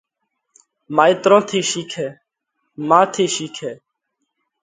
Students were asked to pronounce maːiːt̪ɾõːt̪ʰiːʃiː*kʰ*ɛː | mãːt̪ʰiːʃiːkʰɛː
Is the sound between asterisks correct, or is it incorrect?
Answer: correct